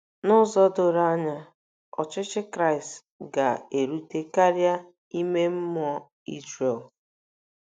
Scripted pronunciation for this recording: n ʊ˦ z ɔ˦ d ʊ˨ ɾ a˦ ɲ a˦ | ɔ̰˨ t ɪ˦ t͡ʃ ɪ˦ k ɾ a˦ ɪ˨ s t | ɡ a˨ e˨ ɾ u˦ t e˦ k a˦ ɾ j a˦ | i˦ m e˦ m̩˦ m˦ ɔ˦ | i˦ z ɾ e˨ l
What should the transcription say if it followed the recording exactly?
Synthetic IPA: n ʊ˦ z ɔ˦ d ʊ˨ ɾ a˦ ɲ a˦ | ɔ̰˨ t͡ʃ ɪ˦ t͡ʃ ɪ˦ k ɾ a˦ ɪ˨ s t | ɡ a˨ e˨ ɾ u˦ t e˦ k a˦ ɾ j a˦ | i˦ m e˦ m̩˦ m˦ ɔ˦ | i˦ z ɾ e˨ l